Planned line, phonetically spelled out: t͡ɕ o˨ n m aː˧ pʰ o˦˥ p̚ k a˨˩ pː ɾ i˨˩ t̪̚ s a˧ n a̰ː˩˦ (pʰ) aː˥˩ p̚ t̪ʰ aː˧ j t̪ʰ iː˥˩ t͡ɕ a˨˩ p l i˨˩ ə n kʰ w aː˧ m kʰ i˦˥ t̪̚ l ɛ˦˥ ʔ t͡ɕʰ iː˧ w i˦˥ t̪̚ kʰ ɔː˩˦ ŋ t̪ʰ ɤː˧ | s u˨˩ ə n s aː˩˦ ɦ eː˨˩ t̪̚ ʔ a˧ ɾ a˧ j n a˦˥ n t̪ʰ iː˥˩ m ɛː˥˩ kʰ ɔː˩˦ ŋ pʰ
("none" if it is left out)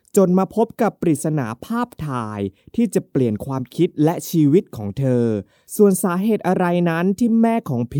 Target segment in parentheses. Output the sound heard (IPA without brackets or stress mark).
pʰ